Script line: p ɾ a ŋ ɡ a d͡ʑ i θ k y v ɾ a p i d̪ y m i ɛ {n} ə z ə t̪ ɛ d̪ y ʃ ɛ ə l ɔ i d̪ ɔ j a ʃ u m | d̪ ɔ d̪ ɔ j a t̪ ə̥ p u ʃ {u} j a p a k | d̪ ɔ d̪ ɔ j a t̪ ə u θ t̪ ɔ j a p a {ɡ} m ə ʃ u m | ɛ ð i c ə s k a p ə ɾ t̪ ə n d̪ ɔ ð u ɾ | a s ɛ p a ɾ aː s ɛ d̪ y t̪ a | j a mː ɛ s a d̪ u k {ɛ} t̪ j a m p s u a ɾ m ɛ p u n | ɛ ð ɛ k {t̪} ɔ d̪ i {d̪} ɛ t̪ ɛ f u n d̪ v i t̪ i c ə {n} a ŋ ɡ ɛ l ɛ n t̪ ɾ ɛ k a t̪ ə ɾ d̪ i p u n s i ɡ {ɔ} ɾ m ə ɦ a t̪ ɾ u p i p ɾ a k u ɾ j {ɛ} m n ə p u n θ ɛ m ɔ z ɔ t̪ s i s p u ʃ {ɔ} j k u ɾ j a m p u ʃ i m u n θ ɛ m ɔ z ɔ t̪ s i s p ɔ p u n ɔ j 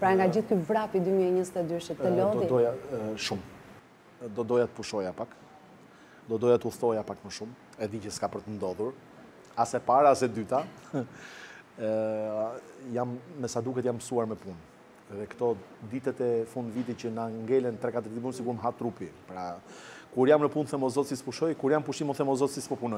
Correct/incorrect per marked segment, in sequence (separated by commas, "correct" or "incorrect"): incorrect, incorrect, incorrect, correct, correct, incorrect, correct, incorrect, incorrect, correct